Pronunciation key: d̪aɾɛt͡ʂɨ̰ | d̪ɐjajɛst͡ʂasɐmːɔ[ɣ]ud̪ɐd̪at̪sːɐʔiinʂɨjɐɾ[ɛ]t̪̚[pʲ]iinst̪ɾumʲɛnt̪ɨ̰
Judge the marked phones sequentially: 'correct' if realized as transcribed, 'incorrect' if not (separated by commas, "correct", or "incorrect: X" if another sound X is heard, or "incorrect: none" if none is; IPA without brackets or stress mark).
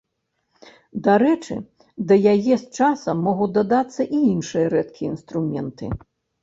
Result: correct, correct, incorrect: kʲ